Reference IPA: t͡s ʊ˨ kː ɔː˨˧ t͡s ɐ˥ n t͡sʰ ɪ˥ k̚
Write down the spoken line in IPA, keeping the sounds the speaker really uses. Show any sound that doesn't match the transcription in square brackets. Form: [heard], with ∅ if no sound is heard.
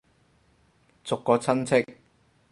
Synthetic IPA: t͡s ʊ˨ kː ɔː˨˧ [t͡sʰ] ɐ˥ n t͡sʰ ɪ˥ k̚